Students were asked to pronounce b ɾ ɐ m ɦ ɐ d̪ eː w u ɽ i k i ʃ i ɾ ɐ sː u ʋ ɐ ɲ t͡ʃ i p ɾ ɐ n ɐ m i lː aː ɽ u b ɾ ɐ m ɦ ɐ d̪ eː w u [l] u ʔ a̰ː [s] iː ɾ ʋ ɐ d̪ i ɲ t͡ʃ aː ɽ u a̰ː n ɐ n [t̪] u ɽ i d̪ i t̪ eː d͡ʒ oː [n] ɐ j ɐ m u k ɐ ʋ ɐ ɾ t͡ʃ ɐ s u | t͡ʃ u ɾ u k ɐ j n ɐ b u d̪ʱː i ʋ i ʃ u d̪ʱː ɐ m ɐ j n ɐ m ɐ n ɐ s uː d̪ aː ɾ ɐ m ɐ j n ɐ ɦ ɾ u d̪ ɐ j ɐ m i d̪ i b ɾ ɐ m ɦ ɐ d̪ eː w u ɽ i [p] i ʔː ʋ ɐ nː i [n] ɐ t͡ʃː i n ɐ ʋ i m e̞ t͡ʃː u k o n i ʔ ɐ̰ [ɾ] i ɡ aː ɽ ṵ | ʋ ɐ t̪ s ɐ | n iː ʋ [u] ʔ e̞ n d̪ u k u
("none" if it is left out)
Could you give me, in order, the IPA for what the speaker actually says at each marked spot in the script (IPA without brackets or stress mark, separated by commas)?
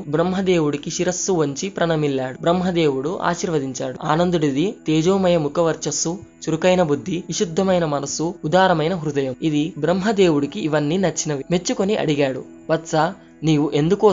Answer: ɽ, ʃ, d̪, m, k, n, ɽ, u